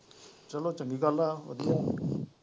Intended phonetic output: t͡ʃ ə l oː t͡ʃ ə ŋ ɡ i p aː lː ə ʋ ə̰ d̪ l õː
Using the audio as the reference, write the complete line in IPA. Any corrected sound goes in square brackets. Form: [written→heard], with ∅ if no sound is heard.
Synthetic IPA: t͡ʃ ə l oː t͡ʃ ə ŋ ɡ i [p→k] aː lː [ə→a] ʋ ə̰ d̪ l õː